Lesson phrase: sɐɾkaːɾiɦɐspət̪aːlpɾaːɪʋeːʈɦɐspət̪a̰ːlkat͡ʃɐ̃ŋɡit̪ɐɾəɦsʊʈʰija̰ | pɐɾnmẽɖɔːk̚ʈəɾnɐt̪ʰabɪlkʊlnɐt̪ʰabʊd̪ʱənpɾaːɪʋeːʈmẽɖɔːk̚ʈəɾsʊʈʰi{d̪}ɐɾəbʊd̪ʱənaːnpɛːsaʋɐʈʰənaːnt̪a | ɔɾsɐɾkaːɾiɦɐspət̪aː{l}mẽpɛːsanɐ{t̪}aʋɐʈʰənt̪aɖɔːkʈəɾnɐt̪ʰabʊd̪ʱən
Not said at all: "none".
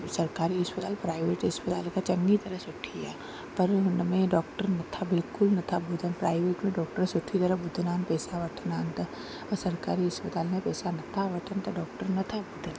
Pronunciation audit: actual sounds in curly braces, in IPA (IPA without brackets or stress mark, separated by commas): t̪, l, t̪ʰ